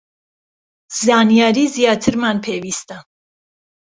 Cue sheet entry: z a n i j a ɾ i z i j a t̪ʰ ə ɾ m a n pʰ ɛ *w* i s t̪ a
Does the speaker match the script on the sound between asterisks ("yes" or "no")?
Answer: no